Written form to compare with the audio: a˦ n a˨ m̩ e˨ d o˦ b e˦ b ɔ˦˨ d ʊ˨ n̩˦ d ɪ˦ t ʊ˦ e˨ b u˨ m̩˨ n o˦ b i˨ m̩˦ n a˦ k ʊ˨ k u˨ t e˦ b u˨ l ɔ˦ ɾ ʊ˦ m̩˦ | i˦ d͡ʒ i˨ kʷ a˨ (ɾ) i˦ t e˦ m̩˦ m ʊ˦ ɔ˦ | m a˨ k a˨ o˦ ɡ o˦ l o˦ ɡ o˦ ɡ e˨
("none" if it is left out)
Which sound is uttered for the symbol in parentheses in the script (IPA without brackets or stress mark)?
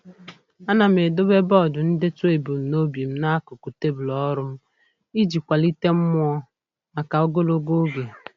l